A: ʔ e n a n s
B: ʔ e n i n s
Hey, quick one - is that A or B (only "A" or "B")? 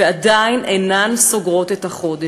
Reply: A